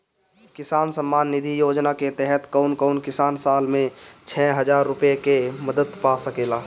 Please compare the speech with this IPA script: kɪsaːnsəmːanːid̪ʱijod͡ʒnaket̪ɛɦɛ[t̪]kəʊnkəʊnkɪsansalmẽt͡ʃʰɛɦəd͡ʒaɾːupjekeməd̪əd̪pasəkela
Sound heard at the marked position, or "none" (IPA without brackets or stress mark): t̪